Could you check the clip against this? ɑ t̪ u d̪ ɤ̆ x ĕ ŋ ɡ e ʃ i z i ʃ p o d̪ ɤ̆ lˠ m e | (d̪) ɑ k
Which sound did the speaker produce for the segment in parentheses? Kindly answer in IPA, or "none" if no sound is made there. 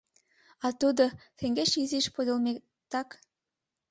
t̪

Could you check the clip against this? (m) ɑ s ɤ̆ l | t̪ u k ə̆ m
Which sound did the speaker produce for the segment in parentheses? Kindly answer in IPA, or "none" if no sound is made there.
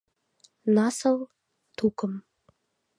n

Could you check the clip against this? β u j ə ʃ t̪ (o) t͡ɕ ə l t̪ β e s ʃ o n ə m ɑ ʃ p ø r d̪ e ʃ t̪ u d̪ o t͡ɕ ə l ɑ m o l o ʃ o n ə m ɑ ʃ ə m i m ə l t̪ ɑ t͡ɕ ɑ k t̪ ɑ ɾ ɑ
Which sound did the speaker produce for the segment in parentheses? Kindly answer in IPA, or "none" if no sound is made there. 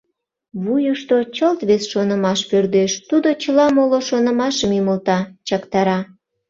o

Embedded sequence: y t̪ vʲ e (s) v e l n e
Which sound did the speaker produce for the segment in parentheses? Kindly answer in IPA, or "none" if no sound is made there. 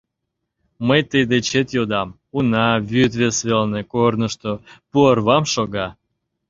s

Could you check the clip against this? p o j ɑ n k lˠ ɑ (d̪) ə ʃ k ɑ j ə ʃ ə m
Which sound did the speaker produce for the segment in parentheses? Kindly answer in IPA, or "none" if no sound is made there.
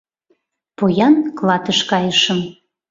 t̪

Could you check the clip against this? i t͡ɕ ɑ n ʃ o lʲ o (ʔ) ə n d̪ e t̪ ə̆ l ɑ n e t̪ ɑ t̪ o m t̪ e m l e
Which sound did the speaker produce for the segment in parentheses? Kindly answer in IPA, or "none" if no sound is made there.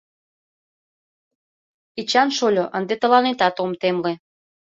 ʔ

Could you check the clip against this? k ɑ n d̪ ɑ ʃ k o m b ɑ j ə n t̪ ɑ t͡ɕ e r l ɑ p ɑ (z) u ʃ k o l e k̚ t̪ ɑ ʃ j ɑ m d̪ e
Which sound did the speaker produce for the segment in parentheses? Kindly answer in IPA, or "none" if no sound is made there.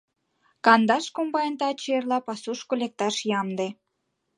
s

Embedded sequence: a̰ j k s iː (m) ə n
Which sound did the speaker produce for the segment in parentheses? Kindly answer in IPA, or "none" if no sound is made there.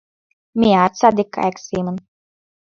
m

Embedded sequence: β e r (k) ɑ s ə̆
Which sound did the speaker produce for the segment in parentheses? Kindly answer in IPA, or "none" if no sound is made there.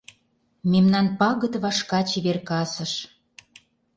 k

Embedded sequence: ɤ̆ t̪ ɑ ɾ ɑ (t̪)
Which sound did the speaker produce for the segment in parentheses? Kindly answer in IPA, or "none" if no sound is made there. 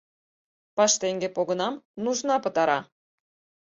none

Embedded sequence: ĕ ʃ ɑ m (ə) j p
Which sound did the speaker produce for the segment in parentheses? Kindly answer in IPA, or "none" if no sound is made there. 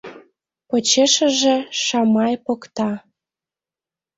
ɑ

